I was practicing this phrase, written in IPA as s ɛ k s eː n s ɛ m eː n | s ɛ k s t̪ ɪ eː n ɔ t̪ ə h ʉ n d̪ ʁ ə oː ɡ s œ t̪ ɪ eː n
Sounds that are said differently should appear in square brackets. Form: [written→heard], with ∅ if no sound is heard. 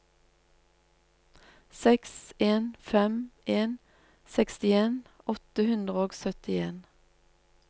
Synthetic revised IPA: s ɛ k s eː n [s→f] ɛ m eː n | s ɛ k s t̪ ɪ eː n ɔ t̪ ə h ʉ n d̪ ʁ ə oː ɡ s œ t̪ ɪ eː n